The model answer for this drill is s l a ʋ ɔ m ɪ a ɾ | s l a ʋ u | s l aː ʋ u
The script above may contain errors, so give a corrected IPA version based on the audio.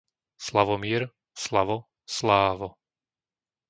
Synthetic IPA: s l a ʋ ɔ m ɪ ɛ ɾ | s l a ʋ ɔ | s l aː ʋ ɔ